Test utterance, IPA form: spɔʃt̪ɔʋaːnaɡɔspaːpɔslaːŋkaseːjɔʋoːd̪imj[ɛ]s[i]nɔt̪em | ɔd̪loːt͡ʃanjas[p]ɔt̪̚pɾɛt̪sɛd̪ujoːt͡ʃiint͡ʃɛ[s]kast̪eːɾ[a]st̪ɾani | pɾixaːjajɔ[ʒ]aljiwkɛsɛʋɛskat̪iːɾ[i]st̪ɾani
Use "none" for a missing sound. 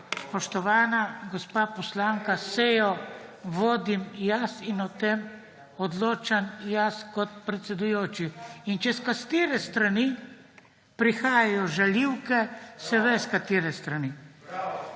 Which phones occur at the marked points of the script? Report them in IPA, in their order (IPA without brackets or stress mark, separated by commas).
a, i, k, s, ɛ, ʒ, ɛ